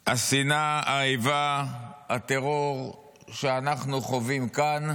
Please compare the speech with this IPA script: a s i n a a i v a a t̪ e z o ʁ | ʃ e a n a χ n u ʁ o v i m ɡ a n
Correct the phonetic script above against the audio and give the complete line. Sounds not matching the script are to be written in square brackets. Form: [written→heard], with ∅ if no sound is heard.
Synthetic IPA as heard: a s i n a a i v a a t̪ e [z→ʁ] o ʁ | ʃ e a n a χ n u [ʁ→χ] o v i m [ɡ→k] a n